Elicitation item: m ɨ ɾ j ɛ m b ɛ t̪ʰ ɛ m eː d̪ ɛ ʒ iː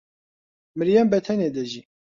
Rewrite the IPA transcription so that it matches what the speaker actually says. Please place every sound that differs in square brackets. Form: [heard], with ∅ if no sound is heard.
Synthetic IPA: m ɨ ɾ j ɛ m b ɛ t̪ʰ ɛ [n] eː d̪ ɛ ʒ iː

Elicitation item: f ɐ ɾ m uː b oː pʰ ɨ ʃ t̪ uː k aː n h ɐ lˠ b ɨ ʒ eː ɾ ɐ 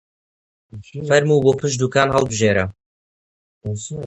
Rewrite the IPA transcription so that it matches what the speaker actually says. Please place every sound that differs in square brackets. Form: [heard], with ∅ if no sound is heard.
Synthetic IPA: f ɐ ɾ m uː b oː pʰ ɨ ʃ [d̪] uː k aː n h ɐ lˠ b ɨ ʒ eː ɾ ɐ

